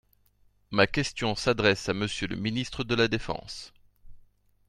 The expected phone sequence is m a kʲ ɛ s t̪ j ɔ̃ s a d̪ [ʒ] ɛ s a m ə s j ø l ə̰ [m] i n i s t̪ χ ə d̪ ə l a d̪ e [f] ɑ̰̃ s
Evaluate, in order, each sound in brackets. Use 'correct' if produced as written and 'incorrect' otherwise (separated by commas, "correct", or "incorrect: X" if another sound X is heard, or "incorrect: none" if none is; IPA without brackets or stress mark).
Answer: incorrect: ʁ, correct, correct